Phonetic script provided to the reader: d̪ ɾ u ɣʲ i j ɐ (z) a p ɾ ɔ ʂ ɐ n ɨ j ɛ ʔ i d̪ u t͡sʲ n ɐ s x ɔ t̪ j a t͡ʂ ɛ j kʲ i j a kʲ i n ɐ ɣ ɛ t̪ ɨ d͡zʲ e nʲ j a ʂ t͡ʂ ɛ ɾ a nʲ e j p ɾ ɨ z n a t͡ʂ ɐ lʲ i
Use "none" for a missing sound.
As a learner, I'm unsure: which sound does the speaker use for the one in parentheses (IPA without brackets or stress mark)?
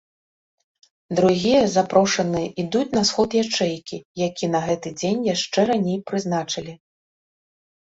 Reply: z